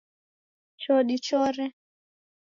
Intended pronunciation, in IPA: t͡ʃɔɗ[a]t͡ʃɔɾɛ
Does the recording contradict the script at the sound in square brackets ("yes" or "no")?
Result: yes